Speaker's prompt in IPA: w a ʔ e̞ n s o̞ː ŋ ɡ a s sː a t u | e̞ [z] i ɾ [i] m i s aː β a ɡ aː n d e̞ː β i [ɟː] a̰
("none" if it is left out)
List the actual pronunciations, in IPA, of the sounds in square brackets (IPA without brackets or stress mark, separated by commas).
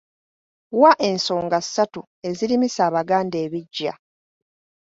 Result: z, i, ɟː